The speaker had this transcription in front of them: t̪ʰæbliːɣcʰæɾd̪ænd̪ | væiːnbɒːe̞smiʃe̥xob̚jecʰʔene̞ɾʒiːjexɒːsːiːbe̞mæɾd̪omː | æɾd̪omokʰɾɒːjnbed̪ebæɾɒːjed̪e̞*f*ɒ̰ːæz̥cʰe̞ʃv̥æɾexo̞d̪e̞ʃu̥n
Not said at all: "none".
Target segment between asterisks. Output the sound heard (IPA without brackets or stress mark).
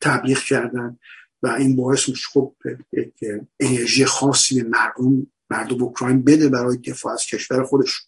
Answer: f